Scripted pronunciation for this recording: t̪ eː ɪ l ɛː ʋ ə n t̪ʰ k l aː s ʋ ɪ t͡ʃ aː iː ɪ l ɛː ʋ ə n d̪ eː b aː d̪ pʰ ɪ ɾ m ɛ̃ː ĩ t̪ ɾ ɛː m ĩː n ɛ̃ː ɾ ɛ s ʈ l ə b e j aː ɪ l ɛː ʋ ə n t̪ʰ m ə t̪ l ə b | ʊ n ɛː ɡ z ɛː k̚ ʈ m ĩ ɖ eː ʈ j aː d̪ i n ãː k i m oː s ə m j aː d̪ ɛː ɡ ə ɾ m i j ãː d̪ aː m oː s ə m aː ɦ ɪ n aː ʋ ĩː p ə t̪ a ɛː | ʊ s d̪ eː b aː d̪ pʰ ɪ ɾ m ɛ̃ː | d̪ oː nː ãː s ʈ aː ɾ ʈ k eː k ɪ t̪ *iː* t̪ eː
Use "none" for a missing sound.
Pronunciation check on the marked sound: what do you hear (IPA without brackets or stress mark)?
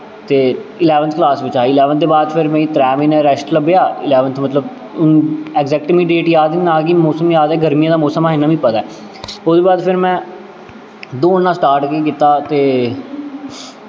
aː